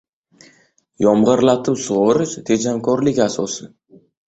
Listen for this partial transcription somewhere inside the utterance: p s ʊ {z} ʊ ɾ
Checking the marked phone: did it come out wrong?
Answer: yes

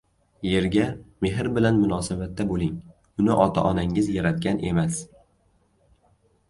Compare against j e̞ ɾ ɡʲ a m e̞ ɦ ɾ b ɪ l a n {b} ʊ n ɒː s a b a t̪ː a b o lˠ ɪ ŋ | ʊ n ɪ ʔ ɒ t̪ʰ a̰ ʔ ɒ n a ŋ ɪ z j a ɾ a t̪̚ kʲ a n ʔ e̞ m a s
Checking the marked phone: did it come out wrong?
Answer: yes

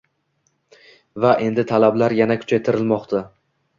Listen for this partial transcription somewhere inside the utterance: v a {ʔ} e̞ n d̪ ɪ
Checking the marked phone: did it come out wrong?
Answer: no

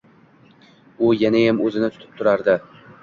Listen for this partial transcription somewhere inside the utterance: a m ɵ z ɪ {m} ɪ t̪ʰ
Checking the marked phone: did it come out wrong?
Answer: yes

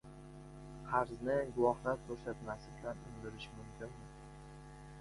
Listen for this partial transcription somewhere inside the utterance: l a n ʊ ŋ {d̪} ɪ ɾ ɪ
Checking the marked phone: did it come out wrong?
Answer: no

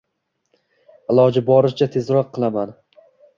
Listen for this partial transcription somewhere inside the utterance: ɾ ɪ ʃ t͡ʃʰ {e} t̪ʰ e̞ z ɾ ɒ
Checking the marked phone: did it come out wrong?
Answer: yes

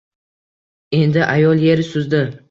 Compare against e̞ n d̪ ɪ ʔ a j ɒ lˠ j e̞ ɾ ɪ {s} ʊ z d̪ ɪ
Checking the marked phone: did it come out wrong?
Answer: no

